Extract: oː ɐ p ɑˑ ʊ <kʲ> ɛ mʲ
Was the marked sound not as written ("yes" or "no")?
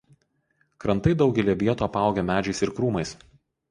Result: yes